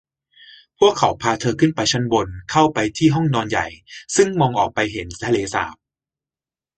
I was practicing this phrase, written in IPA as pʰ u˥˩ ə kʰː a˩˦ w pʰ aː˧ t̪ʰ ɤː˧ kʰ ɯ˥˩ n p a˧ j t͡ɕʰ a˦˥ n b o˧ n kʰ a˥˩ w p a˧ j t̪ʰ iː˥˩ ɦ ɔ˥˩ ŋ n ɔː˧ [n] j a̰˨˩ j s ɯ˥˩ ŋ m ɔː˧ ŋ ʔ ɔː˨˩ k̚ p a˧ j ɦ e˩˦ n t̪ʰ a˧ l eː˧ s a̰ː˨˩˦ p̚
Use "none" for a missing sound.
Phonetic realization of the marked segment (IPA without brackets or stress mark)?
n